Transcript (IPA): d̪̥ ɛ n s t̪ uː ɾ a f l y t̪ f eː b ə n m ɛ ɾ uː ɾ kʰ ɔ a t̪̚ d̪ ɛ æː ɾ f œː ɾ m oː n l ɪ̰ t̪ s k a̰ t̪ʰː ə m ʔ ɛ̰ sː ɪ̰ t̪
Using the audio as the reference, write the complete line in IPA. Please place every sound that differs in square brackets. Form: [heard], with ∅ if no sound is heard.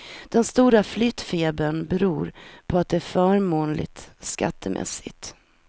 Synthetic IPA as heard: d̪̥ ɛ n s t̪ uː ɾ a f l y t̪ f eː b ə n [b] ɛ ɾ uː ɾ [pʰ] ɔ a t̪̚ d̪ ɛ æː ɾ f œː ɾ m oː n l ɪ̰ t̪ s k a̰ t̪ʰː ə m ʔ ɛ̰ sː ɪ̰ t̪